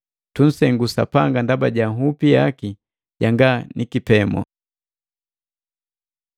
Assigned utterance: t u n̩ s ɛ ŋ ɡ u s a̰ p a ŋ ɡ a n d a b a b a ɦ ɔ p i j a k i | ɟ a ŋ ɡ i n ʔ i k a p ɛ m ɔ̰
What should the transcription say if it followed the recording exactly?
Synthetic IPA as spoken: t u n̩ s ɛ ŋ ɡ u s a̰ p a ŋ ɡ a n d a b a ɟ a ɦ u p i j a k i | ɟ a ŋ ɡ a n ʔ i k i p ɛ m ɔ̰